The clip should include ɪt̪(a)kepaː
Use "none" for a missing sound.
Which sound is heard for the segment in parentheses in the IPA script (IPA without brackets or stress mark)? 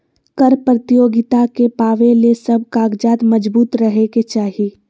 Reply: a